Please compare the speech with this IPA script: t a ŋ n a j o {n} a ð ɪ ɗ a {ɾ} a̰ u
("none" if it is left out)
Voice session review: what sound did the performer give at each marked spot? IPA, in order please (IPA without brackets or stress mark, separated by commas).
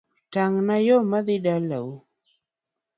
m, l